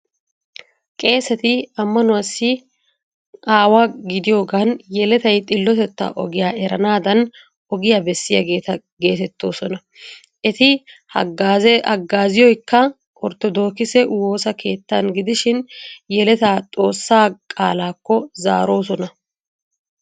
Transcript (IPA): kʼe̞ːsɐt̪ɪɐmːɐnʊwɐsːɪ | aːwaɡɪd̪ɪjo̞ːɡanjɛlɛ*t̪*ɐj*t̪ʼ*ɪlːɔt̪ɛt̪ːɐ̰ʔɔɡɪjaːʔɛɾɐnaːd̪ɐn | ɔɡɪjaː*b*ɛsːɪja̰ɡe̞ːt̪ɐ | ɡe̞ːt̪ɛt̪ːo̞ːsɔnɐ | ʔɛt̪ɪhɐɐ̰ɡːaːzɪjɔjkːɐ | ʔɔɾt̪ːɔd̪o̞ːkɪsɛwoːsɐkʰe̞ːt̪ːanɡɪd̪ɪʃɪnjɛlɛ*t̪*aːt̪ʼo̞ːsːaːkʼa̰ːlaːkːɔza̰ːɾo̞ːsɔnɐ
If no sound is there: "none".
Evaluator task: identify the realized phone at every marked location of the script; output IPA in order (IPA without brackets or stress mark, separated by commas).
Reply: t̪, t̪ʼ, b, t̪